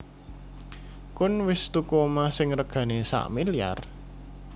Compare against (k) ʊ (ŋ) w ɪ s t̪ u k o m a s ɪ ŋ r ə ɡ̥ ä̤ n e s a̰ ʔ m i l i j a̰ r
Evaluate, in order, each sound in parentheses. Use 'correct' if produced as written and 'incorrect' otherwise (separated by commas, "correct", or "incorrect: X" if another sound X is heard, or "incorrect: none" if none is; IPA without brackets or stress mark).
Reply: correct, incorrect: n